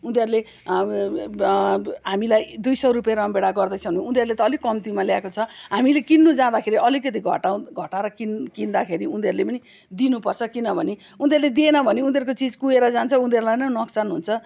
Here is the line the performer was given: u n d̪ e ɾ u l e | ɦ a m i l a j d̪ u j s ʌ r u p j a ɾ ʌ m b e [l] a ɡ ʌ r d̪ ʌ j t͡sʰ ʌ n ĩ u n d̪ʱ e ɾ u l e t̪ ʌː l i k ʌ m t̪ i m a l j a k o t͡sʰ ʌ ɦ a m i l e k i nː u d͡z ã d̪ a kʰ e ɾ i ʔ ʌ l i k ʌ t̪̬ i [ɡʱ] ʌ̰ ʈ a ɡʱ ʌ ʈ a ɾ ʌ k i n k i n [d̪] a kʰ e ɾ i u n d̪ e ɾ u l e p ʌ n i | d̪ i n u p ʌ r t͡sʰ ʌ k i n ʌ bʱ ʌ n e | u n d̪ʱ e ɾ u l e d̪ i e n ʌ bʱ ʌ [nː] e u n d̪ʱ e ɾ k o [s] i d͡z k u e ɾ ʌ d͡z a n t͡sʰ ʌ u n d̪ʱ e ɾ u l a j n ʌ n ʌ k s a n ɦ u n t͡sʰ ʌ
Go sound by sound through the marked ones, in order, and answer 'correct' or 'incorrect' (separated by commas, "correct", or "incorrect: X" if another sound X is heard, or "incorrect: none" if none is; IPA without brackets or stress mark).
incorrect: ɽ, correct, correct, incorrect: n, incorrect: t͡s